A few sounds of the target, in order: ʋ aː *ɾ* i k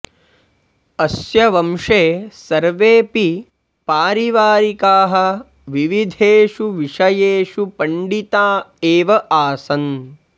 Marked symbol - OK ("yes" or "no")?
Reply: yes